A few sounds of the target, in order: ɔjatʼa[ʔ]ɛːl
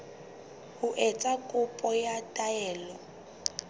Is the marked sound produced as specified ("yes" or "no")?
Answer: no